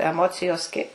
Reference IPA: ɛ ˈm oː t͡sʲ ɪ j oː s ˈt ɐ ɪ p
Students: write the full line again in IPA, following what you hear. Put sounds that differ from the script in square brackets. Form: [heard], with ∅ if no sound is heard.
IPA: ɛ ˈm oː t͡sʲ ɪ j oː s [ˈk] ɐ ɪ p